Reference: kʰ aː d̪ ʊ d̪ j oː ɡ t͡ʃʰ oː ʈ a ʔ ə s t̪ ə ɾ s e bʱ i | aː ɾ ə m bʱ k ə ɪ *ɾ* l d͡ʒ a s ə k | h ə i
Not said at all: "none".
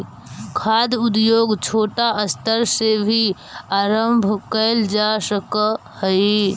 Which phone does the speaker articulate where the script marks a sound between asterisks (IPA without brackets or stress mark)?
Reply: none